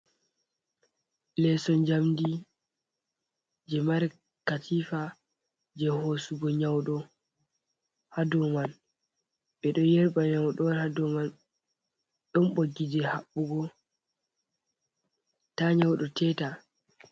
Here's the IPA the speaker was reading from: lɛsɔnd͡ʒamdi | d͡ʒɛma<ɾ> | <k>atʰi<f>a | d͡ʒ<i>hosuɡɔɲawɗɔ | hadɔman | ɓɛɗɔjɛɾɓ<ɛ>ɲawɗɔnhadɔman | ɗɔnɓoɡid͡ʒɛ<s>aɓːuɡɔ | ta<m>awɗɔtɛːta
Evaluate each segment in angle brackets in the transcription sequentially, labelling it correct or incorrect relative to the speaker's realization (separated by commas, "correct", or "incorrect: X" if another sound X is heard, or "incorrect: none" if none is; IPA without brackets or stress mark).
correct, correct, correct, incorrect: ɛ, incorrect: a, incorrect: h, incorrect: ɲ